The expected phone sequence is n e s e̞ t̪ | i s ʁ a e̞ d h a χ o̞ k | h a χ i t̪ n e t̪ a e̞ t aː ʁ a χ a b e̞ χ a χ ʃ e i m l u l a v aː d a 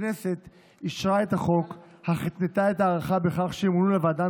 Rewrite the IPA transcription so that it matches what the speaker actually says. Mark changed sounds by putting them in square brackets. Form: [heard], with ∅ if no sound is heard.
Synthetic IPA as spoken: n e s e̞ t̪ | i [ʃ] ʁ a e̞ [t] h a χ o̞ k | h a χ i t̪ n e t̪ a e̞ t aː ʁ a χ a b e̞ χ a χ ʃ e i m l u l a v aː d a